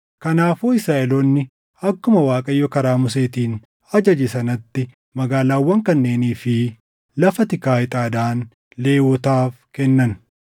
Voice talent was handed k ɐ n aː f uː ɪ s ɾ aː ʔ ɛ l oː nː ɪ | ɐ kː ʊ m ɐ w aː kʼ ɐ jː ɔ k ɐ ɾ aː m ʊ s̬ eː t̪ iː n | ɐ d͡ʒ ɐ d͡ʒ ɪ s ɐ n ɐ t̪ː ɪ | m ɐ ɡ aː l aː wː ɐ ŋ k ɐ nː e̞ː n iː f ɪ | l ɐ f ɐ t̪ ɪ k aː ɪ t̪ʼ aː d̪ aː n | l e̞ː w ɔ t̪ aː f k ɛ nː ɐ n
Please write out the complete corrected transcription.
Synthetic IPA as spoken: k ɐ n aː f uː ɪ s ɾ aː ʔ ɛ l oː nː ɪ | ɐ kː ʊ m ɐ w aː kʼ ɐ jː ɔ k ɐ ɾ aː m ʊ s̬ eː t̪ iː n | ɐ d͡ʒ ɐ d͡ʒ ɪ s ɐ n ɐ t̪ː ɪ | m ɐ ɡ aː l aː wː ɐ ŋ k ɐ nː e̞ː n iː f ɪ | l ɐ f ɐ t̪ ɪ k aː ɪ t̪ʼ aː d̪ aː n | l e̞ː w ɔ t̪ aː f k ɛ nː ɐ n